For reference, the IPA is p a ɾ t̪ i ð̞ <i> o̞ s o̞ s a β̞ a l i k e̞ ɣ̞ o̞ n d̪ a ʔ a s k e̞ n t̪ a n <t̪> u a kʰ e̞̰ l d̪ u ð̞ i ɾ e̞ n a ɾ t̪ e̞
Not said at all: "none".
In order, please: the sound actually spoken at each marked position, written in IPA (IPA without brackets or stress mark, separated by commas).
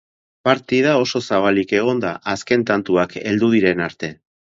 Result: a, t̪